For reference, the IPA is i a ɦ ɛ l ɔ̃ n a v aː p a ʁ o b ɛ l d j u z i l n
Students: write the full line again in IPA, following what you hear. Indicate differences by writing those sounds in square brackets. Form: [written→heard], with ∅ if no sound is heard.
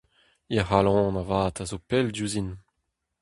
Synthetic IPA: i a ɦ [ɛ→a] l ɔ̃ n a v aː [p→t] a [ʁ→z] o [b→p] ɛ l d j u z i [l→∅] n